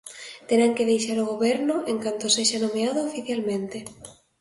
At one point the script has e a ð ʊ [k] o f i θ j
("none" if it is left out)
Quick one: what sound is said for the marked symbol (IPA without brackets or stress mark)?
none